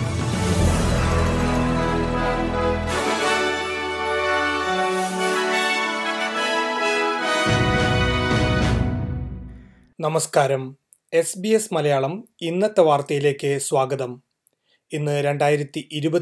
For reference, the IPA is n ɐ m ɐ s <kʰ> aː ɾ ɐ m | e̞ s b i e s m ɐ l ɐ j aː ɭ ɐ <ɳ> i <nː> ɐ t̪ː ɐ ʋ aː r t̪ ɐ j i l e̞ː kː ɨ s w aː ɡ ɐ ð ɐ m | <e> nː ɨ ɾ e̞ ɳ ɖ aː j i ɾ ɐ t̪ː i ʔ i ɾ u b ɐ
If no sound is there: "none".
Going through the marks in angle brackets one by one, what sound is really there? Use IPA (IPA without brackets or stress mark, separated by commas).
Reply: k, m, nː, i